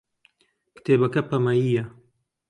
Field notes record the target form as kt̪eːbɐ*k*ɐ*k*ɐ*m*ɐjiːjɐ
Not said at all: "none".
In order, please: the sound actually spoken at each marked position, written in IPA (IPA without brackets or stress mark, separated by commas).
k, p, m